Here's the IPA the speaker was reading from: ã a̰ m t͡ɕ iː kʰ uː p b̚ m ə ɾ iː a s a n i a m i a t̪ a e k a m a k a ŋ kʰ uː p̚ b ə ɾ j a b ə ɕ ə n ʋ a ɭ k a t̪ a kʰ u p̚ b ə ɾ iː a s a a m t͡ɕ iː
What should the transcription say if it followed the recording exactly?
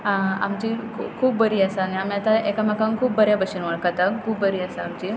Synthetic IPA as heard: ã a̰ m t͡ɕ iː kʰ uː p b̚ b ə ɾ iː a s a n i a m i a t̪ a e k a m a k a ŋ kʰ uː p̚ b ə ɾ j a b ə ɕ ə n ʋ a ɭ k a t̪ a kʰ uː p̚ b ə ɾ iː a s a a m t͡ɕ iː